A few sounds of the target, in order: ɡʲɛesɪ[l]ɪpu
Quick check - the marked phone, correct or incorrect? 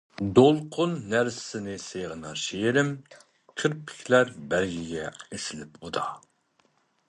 correct